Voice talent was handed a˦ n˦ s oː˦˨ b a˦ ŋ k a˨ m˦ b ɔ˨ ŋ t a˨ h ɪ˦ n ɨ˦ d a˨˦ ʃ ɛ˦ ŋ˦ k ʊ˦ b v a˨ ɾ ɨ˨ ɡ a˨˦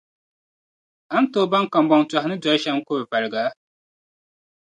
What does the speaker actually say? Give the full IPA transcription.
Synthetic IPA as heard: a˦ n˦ t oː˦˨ b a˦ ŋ k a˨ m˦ b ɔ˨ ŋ t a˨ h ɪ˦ n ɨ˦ d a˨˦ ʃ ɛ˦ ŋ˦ k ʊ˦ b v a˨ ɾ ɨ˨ ɡ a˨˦

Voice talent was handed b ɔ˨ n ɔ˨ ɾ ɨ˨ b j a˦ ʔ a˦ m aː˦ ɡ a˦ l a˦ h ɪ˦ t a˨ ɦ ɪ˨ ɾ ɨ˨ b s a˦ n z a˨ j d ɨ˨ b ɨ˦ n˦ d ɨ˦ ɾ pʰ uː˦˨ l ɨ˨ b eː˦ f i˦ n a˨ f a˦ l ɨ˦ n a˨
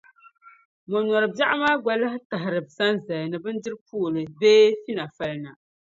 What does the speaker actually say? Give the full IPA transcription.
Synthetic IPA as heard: m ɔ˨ n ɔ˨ ɾ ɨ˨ b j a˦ ʔ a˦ m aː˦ ɡ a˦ l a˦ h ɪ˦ t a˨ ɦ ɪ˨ ɾ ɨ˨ b s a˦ n z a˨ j n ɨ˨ b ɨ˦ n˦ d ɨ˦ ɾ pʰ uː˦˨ l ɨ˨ b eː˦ f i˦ n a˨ f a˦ l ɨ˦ n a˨

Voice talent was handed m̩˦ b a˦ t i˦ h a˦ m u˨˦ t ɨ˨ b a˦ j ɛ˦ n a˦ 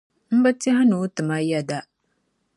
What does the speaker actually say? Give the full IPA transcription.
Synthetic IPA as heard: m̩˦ b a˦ t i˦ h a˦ n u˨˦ t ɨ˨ m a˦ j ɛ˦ d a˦

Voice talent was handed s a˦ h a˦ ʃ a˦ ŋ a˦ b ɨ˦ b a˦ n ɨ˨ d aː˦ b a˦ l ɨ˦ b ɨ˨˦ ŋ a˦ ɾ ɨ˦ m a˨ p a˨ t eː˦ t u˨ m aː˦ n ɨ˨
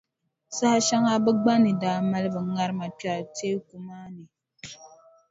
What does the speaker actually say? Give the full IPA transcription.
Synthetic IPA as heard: s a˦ h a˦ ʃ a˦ ŋ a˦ b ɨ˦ ɡ͡b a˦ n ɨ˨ d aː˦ m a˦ l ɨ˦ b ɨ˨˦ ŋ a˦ ɾ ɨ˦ m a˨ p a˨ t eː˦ k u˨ m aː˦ n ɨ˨

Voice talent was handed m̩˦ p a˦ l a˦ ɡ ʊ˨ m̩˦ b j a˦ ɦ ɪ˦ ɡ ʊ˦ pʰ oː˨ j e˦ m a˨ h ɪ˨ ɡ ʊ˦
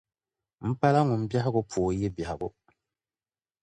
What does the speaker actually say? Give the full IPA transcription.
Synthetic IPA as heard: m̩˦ p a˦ l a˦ ŋ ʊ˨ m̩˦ b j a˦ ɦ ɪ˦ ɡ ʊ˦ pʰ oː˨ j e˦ b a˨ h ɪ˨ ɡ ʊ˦

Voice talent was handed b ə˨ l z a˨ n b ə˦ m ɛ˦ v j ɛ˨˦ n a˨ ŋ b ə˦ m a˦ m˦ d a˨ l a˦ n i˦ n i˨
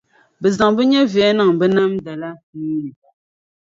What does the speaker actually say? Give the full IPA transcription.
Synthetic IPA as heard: b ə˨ z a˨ ŋ b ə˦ ɲ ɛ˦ v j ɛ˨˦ n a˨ ŋ b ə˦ n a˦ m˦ d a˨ l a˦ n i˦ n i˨

